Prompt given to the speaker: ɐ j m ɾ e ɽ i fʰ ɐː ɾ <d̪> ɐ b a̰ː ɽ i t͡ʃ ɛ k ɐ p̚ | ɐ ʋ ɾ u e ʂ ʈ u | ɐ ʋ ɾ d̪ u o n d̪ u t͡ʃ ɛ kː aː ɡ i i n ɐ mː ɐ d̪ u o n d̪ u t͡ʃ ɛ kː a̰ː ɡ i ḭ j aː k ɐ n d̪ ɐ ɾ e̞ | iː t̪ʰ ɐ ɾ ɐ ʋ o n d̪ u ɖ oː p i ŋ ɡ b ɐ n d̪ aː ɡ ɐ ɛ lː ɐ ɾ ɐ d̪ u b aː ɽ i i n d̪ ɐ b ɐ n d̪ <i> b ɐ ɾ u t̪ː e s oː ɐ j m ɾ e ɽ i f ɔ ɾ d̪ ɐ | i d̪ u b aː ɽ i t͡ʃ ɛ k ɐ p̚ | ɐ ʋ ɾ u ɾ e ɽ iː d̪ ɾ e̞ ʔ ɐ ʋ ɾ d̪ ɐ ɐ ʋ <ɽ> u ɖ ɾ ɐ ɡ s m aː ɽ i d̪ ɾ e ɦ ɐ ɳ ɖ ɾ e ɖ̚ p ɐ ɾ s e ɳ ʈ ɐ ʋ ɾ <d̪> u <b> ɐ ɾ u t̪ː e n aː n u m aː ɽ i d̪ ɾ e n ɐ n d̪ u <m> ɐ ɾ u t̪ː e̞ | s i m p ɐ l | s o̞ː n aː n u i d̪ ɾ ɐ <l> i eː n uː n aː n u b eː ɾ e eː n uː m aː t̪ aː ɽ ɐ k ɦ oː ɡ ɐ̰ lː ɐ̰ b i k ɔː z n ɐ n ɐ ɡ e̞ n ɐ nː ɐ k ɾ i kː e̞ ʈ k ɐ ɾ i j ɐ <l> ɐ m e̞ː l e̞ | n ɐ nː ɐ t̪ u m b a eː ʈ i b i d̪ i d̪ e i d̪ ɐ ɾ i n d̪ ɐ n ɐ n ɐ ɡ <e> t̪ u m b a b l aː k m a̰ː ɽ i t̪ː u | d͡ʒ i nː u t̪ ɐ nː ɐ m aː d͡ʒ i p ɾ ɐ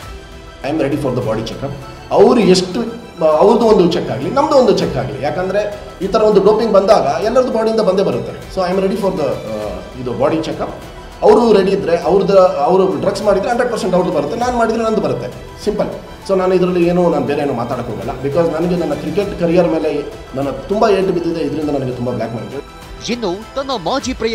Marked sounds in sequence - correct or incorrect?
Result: correct, incorrect: e, incorrect: ɾ, correct, correct, incorrect: b, incorrect: lː, incorrect: ɾ, correct

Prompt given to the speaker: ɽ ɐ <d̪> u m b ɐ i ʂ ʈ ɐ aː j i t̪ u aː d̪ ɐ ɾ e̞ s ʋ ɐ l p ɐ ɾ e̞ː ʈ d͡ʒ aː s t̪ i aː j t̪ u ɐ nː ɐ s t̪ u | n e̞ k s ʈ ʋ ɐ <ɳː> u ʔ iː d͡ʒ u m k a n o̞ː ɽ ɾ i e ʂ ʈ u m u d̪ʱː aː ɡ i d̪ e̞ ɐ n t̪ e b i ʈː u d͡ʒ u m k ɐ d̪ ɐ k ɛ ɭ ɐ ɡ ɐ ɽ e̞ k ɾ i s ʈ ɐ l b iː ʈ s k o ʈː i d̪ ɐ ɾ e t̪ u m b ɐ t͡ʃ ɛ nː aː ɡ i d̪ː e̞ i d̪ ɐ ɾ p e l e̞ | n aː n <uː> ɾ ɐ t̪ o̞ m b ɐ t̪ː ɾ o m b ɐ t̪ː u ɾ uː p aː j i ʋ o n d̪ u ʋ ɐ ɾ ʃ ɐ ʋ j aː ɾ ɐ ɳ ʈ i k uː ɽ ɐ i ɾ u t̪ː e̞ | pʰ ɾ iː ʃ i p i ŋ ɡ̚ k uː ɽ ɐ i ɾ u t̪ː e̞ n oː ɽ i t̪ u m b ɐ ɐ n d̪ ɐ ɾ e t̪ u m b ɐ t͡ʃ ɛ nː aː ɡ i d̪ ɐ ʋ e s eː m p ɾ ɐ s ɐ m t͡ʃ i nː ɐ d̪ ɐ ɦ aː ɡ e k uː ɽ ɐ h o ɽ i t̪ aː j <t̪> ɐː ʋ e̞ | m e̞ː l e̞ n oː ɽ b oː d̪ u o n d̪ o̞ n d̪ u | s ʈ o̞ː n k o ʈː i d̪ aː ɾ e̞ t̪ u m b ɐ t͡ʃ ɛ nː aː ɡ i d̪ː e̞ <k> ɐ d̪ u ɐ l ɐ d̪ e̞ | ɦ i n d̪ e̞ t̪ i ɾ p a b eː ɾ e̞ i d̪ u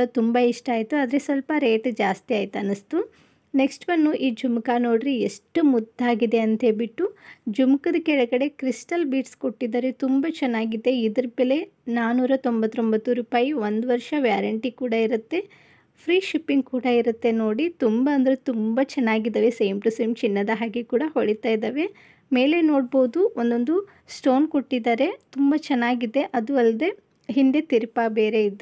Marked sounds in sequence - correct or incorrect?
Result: incorrect: t̪, incorrect: nː, correct, incorrect: d̪, incorrect: ʔ

